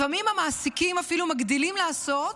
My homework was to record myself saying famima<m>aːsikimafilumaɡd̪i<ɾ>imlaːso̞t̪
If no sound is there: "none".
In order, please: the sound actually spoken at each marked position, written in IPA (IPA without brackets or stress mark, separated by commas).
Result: m, l